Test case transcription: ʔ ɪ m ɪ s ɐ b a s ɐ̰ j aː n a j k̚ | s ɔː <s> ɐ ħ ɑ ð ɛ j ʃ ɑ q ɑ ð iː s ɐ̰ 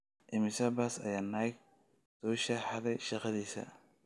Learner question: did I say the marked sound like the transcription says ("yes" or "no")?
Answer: no